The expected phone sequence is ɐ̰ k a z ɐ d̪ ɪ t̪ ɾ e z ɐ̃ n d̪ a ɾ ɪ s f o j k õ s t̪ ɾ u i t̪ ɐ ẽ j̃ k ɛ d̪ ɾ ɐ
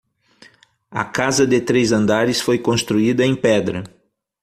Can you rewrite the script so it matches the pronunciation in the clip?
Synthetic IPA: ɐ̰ k a z ɐ d̪ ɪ t̪ ɾ e z ɐ̃ n d̪ a ɾ ɪ s f o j k õ s t̪ ɾ u i d̪ ɐ ẽ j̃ p ɛ d̪ ɾ ɐ